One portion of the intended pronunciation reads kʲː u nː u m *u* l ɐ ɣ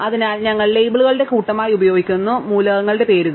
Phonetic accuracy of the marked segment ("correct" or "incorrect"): incorrect